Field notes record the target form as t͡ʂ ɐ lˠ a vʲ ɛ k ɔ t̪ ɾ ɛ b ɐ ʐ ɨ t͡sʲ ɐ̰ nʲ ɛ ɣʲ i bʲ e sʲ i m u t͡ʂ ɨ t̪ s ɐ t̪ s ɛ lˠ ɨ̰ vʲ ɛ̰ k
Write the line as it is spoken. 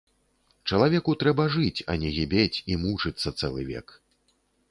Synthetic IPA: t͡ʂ ɐ lˠ a vʲ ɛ k u t̪ ɾ ɛ b ɐ ʐ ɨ t͡sʲ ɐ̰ nʲ ɛ ɣʲ i bʲ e t͡sʲ i m u t͡ʂ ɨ t̪ sː ɐ t̪ s ɛ lˠ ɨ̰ vʲ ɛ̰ k